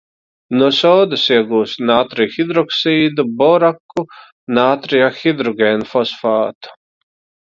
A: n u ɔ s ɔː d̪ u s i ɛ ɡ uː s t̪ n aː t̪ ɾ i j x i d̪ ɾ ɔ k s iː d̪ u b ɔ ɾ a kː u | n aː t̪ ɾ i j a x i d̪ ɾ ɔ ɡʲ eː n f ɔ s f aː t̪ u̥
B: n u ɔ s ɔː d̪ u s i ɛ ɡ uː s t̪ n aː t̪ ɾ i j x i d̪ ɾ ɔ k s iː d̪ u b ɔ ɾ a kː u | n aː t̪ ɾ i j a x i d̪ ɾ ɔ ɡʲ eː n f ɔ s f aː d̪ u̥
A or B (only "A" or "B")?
A